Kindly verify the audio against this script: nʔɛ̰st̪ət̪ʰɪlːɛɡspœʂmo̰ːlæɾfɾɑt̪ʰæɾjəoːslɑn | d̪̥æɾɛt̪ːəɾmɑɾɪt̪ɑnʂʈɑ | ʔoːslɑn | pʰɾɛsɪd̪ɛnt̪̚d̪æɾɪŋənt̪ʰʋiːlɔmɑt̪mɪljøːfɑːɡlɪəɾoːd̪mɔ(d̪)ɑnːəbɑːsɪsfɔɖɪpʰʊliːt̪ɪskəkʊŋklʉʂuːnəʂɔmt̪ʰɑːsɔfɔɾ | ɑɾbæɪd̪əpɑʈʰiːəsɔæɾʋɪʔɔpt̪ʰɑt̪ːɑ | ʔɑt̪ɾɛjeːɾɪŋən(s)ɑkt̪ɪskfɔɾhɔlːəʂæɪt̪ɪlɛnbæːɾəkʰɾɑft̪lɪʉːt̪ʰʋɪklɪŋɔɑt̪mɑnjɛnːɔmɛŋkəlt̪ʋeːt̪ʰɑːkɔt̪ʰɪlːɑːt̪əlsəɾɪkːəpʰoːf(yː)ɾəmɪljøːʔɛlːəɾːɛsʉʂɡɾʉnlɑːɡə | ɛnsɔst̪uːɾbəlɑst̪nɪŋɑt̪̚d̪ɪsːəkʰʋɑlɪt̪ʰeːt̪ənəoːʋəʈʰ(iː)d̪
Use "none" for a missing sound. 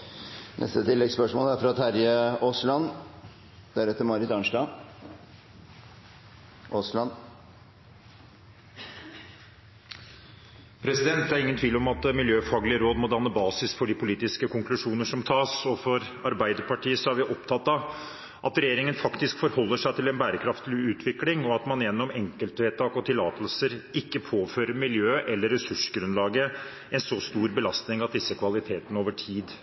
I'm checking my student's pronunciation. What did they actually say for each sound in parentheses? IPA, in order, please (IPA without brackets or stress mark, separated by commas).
d̪, f, øː, iː